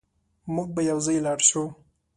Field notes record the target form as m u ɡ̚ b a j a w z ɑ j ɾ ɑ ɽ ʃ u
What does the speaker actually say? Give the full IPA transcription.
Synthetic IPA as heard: m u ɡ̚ b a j a w z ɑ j l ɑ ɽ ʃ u